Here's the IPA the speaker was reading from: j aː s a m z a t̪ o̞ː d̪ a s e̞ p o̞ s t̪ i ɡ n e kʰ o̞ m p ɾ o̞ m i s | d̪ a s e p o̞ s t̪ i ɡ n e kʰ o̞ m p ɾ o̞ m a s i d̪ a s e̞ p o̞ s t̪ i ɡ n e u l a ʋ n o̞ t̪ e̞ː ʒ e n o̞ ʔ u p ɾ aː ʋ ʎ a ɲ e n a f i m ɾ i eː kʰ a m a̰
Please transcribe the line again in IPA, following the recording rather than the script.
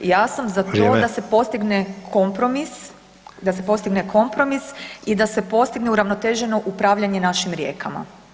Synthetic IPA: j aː s a m z a t̪ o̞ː d̪ a s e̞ p o̞ s t̪ i ɡ n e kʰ o̞ m p ɾ o̞ m i s | d̪ a s e p o̞ s t̪ i ɡ n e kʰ o̞ m p ɾ o̞ m i s i d̪ a s e̞ p o̞ s t̪ i ɡ n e u ɾ a ʋ n o̞ t̪ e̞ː ʒ e n o̞ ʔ u p ɾ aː ʋ ʎ a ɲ e n a ʃ i m ɾ j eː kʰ a m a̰